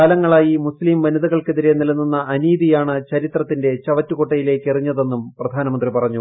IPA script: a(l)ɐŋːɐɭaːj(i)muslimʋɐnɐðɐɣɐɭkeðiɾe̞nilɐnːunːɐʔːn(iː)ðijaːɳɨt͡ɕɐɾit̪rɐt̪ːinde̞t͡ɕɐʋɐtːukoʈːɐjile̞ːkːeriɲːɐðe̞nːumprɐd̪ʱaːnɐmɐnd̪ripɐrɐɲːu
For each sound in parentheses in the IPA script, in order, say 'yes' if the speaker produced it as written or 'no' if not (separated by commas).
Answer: yes, yes, yes